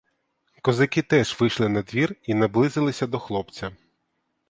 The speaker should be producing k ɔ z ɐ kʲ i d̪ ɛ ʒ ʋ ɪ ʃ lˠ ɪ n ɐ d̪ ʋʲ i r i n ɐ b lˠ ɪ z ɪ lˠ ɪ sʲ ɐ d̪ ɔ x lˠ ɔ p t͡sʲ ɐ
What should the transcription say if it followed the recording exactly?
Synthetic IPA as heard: k ɔ z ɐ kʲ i t̪ ɛ ʒ ʋ ɪ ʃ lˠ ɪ n ɐ d̪ ʋʲ i r i n ɐ b lˠ ɪ z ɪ lˠ ɪ sʲ ɐ d̪ ɔ x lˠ ɔ p t͡sʲ ɐ